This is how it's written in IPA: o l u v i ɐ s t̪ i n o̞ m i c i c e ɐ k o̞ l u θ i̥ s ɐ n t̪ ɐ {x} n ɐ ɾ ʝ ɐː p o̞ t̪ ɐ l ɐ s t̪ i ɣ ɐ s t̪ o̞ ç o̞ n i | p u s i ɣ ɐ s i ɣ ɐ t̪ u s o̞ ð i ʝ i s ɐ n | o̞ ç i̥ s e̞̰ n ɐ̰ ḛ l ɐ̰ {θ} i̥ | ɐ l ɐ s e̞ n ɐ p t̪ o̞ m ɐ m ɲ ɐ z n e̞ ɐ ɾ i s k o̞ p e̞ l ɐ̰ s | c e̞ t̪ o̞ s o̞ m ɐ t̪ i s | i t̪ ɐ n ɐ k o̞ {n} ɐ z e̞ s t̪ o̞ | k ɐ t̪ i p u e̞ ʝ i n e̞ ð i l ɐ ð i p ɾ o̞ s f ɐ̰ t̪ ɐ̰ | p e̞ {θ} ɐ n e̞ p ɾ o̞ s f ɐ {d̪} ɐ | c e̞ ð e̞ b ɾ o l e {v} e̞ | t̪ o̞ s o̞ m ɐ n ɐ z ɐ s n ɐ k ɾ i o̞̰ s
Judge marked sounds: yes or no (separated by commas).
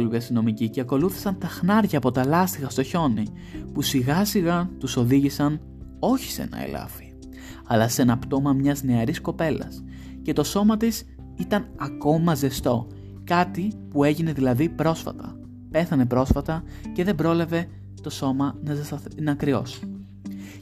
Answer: yes, no, no, yes, no, yes